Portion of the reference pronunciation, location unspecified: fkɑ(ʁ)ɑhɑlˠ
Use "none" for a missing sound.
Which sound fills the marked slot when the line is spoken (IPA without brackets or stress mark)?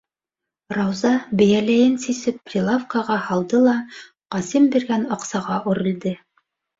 ʁ